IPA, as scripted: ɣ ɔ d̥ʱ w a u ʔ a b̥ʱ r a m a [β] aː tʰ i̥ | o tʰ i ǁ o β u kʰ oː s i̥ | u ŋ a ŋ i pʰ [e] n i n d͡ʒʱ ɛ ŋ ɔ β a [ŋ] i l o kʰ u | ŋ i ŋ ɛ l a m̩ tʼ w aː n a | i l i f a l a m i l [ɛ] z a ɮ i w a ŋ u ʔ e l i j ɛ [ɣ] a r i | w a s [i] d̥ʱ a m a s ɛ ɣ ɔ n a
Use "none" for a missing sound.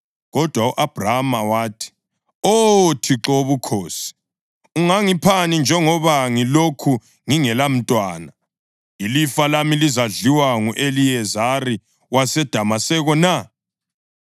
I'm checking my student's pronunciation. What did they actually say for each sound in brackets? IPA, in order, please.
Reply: w, a, ŋ, i, z, ɛ

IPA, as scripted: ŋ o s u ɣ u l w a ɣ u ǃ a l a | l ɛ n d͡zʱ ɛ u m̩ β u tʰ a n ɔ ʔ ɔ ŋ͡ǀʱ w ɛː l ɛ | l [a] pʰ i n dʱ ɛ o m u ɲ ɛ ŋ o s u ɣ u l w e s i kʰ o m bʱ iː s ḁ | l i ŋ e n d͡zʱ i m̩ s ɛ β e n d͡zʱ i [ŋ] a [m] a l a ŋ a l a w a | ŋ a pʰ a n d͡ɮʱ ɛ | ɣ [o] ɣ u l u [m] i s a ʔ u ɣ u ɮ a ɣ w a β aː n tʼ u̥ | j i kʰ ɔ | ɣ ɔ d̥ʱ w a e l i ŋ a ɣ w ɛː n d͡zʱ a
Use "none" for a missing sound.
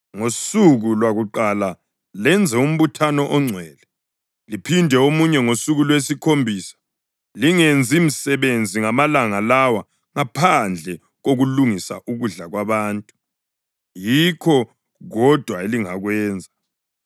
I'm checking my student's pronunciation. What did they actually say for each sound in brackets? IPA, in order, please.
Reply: i, ŋ, m, o, ŋ

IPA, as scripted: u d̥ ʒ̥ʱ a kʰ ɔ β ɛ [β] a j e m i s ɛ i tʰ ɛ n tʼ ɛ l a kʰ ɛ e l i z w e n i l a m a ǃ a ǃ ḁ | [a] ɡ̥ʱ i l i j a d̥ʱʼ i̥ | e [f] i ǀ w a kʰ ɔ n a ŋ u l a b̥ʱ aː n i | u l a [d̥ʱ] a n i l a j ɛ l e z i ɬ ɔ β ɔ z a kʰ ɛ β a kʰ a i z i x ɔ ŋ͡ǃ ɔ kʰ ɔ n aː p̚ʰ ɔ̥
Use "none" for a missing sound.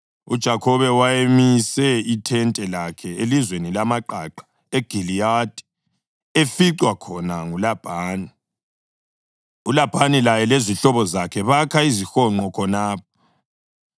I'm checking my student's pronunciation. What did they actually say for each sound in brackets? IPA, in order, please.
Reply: w, e, f, b̥ʱ

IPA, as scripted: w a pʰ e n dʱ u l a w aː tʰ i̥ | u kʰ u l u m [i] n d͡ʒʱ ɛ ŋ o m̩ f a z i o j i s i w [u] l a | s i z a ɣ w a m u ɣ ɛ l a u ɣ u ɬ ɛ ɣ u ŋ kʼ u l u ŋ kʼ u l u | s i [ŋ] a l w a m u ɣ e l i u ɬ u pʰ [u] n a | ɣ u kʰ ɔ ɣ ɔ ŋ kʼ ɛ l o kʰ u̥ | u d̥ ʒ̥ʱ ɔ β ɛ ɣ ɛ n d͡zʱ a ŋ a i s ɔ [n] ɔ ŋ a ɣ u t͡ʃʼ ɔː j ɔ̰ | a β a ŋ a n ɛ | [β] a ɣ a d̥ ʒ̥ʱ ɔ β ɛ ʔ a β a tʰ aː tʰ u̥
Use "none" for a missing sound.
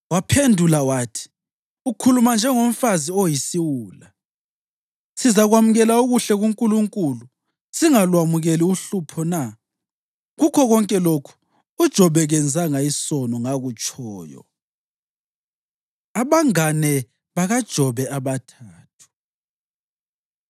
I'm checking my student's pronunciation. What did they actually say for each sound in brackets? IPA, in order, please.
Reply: a, uː, ŋ, ɔ, n, β

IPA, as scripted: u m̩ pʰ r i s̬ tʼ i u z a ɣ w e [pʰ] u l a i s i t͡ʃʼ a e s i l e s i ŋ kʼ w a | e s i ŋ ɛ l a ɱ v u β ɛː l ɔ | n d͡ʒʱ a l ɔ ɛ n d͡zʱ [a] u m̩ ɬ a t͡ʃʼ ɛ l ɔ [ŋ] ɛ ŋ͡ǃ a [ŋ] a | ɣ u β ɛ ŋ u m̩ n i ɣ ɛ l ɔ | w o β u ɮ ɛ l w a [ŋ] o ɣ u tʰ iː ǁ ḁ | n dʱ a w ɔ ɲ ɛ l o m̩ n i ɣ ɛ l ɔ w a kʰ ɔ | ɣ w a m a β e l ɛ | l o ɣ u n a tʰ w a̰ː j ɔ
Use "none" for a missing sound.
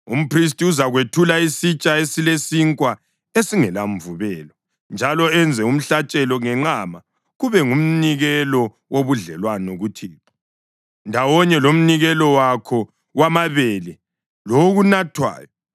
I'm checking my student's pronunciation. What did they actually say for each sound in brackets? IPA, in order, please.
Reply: tʰ, ɛ, ŋ, m, n

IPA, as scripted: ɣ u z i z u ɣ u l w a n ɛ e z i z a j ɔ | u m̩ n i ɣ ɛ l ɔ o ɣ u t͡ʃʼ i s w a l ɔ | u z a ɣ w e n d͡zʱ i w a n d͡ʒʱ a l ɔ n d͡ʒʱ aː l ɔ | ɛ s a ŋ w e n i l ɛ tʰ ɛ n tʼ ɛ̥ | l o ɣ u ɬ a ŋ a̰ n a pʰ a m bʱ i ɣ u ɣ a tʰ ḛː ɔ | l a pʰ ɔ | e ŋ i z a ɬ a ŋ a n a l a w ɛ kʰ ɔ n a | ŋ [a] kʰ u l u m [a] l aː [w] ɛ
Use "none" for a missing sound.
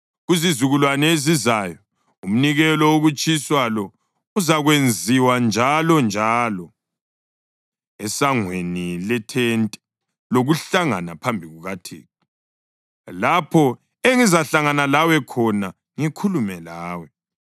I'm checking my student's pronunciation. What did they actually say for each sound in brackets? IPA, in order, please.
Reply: i, ɛ, w

